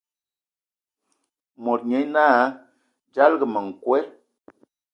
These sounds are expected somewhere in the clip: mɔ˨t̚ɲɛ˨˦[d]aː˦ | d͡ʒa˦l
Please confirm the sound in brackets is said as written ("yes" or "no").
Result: no